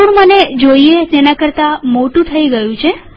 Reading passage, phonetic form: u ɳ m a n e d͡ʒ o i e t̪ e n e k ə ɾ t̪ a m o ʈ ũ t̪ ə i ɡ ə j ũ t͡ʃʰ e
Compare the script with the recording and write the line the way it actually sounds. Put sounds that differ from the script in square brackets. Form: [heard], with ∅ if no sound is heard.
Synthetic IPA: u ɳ m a n e d͡ʒ o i e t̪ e n [a] k ə ɾ t̪ a m o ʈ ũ [t̪ʰ] ə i ɡ ə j ũ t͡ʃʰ e